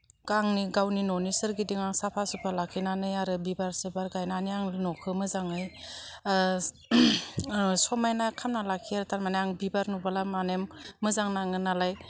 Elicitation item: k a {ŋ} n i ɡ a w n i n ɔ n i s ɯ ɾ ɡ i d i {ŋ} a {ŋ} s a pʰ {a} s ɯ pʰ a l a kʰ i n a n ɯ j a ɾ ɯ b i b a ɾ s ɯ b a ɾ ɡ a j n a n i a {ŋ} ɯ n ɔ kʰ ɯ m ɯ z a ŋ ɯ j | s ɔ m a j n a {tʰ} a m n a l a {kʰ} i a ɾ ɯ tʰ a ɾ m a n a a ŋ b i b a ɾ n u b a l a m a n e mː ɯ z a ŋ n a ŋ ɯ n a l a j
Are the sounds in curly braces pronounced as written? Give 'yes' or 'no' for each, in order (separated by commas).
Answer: yes, yes, yes, yes, yes, no, yes